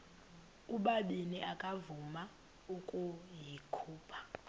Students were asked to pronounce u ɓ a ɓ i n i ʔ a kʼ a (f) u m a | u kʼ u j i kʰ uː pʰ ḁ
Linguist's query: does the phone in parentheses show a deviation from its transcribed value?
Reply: yes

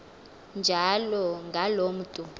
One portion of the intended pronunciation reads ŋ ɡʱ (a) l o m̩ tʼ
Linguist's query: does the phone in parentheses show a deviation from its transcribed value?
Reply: no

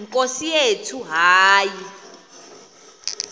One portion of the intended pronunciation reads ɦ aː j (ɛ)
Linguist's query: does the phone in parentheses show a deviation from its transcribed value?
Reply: yes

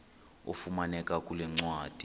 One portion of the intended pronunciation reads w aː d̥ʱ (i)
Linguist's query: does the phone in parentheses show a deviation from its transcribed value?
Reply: no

